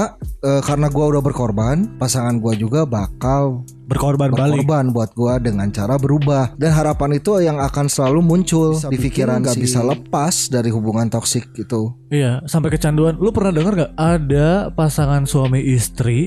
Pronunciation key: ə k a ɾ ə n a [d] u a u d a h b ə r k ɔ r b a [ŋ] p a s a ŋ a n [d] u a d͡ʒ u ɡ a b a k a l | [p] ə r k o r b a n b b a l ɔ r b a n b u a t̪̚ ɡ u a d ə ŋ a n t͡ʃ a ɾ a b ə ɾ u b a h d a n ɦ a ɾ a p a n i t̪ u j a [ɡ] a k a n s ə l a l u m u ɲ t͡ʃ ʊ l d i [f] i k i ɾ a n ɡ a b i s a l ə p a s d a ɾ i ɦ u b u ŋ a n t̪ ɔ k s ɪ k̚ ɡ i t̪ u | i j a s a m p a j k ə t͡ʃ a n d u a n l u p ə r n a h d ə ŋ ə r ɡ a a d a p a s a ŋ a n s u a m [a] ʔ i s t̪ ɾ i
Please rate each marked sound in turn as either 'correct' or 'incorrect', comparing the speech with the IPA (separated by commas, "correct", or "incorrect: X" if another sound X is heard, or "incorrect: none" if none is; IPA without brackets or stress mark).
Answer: incorrect: ɡ, incorrect: n, incorrect: ɡ, incorrect: b, incorrect: ŋ, correct, incorrect: i